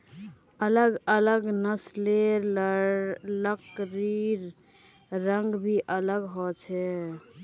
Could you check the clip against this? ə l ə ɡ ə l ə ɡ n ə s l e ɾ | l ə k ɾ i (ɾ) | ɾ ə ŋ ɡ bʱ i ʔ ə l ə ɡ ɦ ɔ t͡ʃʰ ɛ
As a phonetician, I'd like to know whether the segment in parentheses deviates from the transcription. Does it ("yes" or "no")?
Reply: no